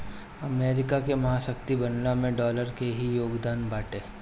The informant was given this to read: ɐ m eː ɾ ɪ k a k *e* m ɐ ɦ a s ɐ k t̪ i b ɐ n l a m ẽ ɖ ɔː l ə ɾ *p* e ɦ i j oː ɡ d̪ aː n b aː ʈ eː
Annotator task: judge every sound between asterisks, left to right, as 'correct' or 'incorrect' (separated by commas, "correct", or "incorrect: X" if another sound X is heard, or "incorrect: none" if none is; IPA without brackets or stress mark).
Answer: correct, incorrect: k